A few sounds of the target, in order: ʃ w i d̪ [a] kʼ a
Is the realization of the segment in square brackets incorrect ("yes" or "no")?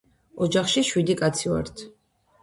yes